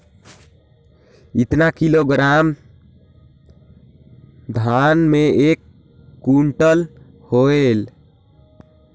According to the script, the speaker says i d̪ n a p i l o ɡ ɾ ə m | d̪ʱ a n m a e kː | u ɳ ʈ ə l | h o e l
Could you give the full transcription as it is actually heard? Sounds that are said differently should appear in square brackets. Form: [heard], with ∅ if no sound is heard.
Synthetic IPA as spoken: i [t̪] n a [k] i l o ɡ ɾ [a] m | d̪ʱ a n m [e] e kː | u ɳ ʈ ə l | h o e l

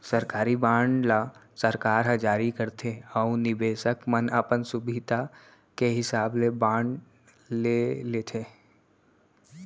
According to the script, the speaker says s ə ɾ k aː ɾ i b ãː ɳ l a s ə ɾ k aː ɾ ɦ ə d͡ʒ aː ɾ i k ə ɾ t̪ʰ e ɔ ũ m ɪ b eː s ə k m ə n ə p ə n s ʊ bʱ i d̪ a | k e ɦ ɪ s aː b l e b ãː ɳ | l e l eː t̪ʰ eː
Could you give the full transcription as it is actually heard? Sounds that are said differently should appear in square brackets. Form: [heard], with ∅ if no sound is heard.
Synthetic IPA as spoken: s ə ɾ k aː ɾ i b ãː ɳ l a s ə ɾ k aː ɾ ɦ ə d͡ʒ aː ɾ i k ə ɾ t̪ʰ e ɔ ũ [n] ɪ b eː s ə k m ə n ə p ə n s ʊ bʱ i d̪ a | k e ɦ ɪ s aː b l e b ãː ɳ | l e l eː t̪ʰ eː

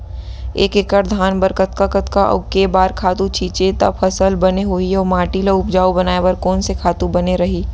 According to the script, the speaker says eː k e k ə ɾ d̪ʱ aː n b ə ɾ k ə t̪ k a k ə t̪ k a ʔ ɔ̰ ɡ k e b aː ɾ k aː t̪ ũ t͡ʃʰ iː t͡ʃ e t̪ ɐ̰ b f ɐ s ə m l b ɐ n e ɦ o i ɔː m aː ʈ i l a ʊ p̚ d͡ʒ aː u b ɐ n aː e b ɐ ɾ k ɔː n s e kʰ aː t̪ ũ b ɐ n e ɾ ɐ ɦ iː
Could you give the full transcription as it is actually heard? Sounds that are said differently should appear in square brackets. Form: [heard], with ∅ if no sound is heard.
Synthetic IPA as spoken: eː k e k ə ɾ d̪ʱ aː n b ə ɾ k ə t̪ k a k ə t̪ k a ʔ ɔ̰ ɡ k e b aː ɾ [kʰ] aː t̪ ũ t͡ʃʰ iː t͡ʃ e t̪ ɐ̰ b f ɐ s ə [∅] l b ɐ n e ɦ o i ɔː m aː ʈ i l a ʊ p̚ d͡ʒ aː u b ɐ n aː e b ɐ ɾ k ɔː n s e kʰ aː t̪ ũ b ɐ n e ɾ ɐ ɦ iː

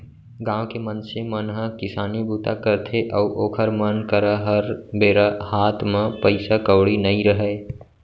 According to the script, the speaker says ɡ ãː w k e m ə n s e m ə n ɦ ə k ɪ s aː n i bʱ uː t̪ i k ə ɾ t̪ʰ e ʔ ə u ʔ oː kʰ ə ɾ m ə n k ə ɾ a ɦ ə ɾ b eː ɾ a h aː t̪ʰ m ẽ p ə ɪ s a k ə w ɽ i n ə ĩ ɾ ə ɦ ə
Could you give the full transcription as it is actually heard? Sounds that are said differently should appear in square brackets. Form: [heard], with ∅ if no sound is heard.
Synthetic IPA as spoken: ɡ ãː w k e m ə n s e m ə n ɦ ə k ɪ s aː n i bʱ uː t̪ [a] k ə ɾ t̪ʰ e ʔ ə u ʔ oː kʰ ə ɾ m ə n k ə ɾ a ɦ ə ɾ b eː ɾ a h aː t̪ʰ m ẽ p ə ɪ s a k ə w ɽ i n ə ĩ ɾ ə ɦ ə

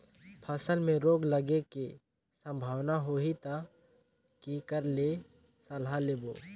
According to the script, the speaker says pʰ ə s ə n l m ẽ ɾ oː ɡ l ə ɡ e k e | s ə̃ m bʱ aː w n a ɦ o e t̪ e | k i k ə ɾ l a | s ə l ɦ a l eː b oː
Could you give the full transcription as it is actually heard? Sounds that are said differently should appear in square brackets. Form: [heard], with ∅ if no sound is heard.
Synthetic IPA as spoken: pʰ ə s ə [∅] l m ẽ ɾ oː ɡ l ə ɡ e k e | s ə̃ m bʱ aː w n a ɦ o [i] t̪ [a] | k i k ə ɾ l [e] | s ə l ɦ a l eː b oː

